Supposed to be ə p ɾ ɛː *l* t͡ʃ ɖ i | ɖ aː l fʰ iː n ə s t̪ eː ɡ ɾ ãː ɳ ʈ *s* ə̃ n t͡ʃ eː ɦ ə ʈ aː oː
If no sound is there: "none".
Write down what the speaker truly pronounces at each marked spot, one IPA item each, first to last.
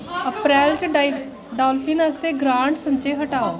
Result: l, s

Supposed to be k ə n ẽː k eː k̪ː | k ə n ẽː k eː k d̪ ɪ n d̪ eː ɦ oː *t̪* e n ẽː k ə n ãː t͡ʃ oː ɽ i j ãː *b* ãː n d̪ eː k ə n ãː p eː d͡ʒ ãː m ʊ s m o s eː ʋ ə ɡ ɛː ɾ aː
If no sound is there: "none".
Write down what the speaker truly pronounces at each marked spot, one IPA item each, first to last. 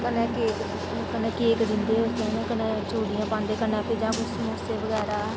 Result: t̪, p

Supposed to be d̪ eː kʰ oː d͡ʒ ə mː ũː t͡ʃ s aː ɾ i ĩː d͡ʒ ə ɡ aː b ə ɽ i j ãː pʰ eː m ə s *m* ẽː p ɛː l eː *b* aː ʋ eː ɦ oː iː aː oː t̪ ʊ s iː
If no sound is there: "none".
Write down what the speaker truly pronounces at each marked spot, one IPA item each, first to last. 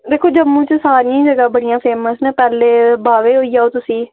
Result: n, b

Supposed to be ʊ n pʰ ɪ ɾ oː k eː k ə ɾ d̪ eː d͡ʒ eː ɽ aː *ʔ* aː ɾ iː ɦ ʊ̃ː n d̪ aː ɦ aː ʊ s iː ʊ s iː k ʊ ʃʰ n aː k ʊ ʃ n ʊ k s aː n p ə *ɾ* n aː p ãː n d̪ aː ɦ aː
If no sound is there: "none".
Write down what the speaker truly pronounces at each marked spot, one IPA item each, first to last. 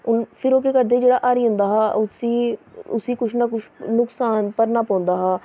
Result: ʔ, ɾ

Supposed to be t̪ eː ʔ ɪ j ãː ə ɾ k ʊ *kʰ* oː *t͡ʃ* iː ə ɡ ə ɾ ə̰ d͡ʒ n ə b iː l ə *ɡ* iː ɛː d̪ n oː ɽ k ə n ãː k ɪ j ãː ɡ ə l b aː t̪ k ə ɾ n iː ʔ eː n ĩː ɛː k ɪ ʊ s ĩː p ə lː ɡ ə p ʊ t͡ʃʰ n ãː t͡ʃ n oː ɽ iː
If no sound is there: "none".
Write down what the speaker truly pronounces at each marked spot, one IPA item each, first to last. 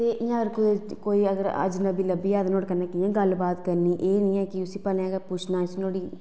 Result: k, none, b

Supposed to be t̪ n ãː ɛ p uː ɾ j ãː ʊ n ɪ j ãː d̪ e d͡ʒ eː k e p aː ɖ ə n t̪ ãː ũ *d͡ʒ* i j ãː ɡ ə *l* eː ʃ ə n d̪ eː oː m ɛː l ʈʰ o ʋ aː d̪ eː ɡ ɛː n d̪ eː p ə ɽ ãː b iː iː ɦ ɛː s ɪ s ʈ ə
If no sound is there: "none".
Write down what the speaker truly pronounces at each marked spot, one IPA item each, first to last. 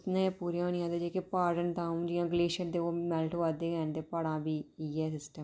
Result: d͡ʒ, l

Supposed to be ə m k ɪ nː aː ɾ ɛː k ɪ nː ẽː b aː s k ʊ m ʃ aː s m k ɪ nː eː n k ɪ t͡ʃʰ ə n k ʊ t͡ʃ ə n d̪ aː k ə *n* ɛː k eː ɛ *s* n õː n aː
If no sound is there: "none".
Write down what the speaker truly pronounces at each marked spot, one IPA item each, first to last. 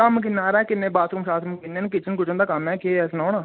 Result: m, s

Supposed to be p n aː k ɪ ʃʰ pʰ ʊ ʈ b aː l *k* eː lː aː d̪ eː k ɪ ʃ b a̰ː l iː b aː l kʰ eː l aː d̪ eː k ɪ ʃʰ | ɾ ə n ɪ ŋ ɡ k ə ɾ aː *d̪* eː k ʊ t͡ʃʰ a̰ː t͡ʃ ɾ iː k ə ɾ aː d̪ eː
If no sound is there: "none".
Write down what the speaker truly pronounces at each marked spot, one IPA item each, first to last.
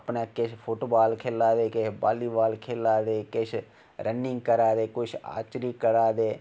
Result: kʰ, d̪

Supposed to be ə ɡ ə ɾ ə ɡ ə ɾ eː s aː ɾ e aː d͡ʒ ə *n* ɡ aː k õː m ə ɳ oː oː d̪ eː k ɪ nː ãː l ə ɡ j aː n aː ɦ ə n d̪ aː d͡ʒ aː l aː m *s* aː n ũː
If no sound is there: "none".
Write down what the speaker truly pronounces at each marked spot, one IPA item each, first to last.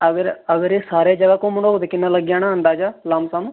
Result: none, s

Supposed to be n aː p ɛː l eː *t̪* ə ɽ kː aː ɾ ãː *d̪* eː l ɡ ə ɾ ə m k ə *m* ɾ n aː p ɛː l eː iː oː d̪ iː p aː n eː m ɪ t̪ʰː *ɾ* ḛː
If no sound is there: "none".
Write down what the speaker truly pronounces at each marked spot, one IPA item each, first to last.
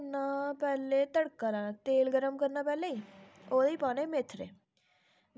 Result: t̪, t̪, none, ɾ

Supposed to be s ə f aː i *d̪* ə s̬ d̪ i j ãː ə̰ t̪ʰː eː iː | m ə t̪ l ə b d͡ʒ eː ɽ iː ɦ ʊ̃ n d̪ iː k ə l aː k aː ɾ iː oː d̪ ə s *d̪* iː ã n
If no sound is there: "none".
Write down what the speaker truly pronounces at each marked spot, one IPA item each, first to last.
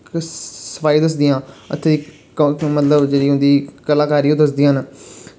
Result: d̪, d̪

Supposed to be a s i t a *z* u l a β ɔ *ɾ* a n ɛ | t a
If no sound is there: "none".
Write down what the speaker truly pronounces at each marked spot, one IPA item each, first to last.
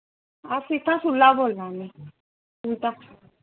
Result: s, l

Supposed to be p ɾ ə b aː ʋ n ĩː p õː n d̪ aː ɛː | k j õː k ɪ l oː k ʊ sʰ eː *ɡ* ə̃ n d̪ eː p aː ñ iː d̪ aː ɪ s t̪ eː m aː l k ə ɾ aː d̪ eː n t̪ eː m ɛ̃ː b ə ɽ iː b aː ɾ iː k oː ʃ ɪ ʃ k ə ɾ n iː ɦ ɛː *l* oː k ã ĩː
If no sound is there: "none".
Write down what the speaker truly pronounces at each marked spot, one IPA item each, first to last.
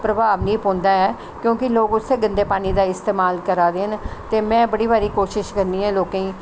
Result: ɡ, l

